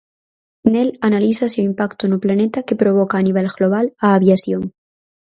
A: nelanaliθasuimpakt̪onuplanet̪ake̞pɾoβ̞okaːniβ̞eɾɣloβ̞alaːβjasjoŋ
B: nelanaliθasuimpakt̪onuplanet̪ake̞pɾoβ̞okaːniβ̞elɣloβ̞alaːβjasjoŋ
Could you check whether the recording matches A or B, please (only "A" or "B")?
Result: B